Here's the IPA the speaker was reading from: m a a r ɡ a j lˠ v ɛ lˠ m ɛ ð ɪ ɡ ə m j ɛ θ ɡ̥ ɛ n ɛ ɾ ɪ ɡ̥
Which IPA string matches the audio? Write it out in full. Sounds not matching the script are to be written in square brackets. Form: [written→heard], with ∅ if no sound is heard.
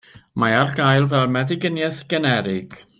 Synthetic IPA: m a a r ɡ a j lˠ v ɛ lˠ m ɛ ð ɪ ɡ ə [m→n] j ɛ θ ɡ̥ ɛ n ɛ ɾ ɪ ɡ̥